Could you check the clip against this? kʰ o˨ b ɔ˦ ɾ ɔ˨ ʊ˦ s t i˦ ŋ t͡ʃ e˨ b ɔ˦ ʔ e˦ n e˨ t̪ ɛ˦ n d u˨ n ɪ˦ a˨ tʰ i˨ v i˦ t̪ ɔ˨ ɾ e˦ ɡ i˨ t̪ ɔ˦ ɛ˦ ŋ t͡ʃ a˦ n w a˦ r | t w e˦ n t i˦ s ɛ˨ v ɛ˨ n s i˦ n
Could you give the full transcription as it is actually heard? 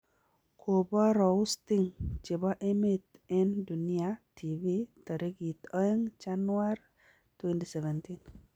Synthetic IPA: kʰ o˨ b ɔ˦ ɾ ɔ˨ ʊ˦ s t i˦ ŋ t͡ʃ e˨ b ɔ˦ ʔ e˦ m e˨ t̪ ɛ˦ n d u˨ n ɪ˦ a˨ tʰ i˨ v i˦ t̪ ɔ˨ ɾ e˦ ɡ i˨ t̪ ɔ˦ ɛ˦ ŋ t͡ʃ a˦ n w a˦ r | t w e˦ n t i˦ s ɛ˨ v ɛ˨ n t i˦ n